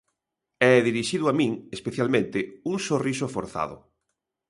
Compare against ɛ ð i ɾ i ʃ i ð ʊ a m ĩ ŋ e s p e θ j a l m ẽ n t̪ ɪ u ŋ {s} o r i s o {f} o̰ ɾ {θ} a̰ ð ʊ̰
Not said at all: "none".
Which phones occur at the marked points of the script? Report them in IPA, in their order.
s, f, θ

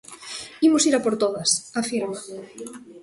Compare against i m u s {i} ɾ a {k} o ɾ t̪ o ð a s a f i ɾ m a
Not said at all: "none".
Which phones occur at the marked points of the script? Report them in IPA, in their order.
i, p

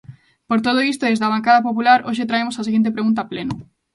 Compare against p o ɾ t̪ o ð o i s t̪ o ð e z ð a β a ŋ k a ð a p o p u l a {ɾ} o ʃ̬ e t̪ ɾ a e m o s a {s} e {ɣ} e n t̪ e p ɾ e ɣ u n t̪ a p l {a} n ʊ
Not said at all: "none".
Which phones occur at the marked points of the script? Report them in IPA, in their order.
ɾ, s, ɣ, e

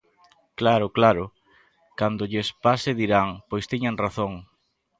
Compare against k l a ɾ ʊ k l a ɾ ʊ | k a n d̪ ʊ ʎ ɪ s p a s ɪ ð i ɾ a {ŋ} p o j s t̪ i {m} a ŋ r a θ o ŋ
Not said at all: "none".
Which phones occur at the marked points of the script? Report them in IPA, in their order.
ŋ, ɲ

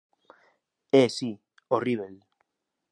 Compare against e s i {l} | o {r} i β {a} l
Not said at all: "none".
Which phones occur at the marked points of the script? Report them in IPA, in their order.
none, r, e

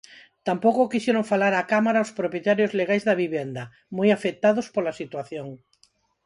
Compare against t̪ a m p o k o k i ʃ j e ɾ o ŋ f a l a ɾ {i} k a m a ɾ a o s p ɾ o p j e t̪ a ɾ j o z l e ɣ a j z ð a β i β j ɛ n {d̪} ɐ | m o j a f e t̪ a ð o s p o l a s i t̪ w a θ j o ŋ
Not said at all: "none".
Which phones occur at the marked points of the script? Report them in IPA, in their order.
a, d̪

